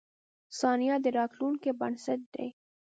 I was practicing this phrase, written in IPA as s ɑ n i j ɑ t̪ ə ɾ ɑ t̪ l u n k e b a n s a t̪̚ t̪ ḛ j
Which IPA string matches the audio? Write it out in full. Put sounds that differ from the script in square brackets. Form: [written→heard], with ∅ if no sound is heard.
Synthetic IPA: s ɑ n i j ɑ [t̪→d̪] ə ɾ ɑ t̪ l u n k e b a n s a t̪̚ [t̪→d̪] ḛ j